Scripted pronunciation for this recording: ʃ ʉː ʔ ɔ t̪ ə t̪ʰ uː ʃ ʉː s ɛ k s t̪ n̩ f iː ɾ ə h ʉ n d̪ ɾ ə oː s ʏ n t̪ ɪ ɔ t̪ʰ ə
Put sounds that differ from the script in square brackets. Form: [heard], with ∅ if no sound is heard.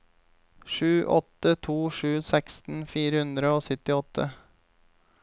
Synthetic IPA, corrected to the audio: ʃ ʉː ʔ ɔ t̪ ə t̪ʰ uː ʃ ʉː s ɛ k s t̪ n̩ f iː ɾ ə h ʉ n d̪ ɾ ə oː s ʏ [∅] t̪ ɪ ɔ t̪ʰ ə